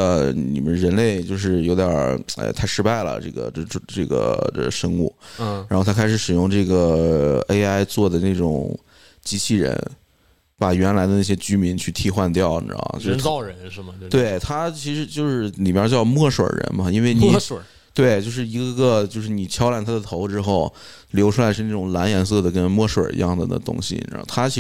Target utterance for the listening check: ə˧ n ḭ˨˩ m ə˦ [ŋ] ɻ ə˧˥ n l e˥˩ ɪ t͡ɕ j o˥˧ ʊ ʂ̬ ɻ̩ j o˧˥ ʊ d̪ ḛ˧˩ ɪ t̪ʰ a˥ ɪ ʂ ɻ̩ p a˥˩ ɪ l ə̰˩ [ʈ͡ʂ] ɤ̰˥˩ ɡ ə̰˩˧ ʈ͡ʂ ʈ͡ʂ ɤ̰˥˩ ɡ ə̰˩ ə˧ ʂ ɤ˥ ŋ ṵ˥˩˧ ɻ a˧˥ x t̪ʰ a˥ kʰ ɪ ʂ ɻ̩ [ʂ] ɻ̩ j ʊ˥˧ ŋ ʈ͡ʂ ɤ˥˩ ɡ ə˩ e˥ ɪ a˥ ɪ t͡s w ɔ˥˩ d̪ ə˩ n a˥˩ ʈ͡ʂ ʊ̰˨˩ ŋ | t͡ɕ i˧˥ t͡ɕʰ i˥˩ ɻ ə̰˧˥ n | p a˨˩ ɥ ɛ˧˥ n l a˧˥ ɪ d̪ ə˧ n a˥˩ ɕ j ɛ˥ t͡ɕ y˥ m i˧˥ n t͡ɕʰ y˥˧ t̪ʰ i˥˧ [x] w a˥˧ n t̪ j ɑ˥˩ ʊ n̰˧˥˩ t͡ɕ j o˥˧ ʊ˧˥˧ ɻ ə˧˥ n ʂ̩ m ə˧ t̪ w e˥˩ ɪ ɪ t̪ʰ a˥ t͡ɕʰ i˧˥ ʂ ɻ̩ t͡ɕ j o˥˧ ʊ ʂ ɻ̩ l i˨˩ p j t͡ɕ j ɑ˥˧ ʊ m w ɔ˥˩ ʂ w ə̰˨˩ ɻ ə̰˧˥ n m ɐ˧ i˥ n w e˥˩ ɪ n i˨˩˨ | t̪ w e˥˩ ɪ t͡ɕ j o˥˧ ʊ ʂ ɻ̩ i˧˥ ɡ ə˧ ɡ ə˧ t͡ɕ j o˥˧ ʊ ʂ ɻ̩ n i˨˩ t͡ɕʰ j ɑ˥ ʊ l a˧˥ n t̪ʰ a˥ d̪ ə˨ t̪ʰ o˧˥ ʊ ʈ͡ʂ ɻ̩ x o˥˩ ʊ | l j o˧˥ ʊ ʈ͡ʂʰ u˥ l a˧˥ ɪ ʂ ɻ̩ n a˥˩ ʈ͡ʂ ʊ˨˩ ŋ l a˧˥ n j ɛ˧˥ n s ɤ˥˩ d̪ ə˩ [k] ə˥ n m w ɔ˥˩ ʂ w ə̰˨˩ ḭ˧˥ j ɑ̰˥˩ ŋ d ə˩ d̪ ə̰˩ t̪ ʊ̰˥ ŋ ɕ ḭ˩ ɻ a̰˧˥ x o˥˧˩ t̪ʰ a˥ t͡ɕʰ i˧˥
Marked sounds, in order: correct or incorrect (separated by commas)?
incorrect, correct, correct, correct, correct